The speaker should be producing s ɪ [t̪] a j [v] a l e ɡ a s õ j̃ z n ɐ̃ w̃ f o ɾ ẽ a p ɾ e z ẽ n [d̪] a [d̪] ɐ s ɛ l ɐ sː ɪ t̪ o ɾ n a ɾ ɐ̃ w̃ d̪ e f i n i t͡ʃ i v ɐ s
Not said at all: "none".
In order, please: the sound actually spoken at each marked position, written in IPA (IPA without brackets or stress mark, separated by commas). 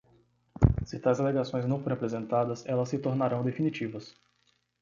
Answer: t̪, z, t̪, d̪